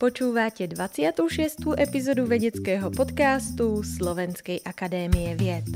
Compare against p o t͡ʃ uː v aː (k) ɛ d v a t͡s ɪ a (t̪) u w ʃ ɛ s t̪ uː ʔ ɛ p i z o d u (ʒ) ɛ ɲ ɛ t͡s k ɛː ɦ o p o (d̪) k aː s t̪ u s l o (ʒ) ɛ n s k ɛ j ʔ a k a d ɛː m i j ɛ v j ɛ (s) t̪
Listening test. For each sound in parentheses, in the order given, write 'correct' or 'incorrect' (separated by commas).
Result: incorrect, correct, incorrect, incorrect, incorrect, incorrect